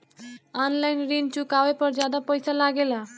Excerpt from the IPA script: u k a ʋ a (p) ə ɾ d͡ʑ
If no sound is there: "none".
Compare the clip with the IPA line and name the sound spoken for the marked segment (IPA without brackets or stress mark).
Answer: p